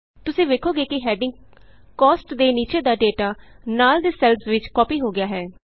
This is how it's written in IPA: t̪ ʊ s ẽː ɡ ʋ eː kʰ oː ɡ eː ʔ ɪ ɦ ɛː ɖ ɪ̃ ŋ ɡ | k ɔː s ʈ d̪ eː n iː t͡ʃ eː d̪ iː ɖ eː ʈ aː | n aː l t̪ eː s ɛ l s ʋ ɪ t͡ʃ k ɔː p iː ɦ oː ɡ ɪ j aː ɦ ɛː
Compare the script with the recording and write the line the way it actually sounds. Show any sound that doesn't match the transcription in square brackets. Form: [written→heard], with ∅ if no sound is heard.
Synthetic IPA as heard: t̪ ʊ s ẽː [ɡ→∅] ʋ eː kʰ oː ɡ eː [ʔ→k] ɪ ɦ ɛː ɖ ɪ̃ ŋ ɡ | k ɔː s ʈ d̪ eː n iː t͡ʃ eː d̪ [iː→aː] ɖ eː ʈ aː | n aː l [t̪→d̪] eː s ɛ l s ʋ ɪ t͡ʃ k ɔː p iː ɦ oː ɡ ɪ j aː ɦ ɛː